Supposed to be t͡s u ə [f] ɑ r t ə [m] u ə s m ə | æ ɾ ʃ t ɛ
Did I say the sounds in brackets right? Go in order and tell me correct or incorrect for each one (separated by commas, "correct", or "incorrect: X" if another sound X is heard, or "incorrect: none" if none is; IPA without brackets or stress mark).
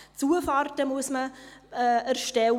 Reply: correct, correct